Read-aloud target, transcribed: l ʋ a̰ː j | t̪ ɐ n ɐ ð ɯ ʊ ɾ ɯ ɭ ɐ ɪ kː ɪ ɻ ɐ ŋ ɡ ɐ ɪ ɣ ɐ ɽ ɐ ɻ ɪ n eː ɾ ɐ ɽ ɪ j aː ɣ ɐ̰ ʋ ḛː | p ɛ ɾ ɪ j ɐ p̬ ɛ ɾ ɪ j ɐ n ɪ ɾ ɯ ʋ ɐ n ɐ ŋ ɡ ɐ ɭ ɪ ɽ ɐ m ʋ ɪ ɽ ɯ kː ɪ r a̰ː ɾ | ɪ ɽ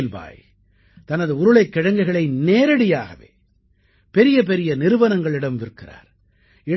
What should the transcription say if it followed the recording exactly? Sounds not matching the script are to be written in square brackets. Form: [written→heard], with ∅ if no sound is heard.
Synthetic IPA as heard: l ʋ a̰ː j | t̪ ɐ n ɐ ð ɯ ʊ ɾ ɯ ɭ ɐ ɪ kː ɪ ɻ ɐ ŋ ɡ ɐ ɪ ɣ ɐ [ɽ→ɭ] ɐ [ɻ→∅] ɪ n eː ɾ ɐ ɽ ɪ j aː ɣ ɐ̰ ʋ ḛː | p ɛ ɾ ɪ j ɐ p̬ ɛ ɾ ɪ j ɐ n ɪ ɾ ɯ ʋ ɐ n ɐ ŋ ɡ ɐ ɭ ɪ ɽ ɐ m ʋ ɪ [ɽ→ɾ] ɯ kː ɪ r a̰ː ɾ | ɪ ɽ